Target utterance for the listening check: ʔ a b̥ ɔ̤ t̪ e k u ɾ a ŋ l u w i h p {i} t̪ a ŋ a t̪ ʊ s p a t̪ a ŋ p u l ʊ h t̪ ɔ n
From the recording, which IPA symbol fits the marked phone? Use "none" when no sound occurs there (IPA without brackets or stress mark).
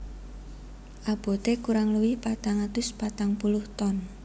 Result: a